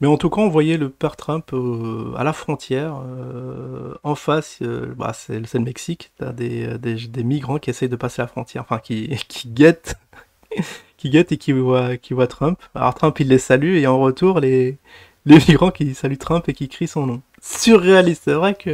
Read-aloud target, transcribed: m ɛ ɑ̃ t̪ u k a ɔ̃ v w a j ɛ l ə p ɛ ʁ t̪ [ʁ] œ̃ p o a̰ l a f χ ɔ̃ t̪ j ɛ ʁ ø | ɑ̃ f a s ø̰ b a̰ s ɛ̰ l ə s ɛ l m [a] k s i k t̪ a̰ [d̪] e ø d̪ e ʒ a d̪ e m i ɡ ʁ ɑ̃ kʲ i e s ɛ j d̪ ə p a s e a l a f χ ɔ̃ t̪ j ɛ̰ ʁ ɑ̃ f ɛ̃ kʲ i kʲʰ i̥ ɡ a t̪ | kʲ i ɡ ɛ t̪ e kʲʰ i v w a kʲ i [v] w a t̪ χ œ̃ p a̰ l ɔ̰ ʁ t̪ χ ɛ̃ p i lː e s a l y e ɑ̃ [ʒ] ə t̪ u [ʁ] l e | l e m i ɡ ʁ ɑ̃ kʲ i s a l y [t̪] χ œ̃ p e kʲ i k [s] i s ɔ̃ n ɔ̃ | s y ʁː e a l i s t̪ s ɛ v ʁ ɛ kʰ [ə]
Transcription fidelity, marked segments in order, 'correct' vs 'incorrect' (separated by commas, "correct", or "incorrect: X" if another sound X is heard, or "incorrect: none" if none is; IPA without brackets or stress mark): incorrect: χ, incorrect: ɛ, correct, correct, incorrect: ʁ, correct, correct, incorrect: χ, correct